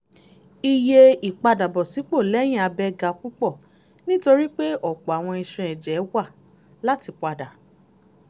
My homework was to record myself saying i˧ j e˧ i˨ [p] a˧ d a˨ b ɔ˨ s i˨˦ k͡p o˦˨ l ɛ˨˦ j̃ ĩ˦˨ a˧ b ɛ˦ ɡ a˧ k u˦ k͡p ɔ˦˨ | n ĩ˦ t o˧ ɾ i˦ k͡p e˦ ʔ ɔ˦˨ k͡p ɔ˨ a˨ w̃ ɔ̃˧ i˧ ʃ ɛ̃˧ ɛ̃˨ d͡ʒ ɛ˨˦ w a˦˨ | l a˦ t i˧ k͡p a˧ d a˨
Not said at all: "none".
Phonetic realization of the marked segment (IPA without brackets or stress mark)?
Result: k͡p